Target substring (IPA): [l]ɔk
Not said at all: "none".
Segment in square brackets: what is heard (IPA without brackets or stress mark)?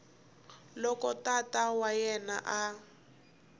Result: l